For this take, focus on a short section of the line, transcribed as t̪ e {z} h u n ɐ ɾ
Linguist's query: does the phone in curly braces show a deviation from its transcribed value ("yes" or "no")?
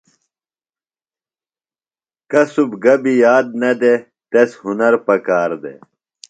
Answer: yes